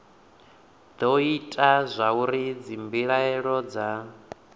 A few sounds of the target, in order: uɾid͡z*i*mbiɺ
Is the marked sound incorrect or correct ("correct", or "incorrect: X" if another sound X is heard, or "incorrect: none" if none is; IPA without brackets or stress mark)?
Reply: correct